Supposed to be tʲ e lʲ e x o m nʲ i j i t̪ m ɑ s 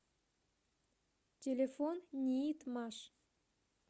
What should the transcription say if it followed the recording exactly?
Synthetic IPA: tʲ e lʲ e f o n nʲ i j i t̪ m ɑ ʃ